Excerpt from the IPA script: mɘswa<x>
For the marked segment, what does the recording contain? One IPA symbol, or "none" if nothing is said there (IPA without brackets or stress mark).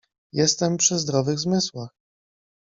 x